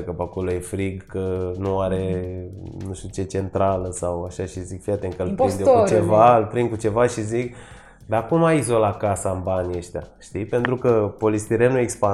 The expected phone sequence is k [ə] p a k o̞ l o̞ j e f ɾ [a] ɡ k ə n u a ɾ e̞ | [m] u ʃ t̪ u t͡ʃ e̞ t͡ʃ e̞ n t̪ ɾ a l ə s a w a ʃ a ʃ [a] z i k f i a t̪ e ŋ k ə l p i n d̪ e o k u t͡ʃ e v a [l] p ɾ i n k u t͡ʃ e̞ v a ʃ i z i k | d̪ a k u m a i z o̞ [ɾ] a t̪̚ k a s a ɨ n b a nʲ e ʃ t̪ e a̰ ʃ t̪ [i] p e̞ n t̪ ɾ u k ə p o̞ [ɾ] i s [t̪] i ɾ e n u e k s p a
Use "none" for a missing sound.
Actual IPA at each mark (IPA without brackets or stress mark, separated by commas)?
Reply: ə, i, n, i, l, l, i, l, t̪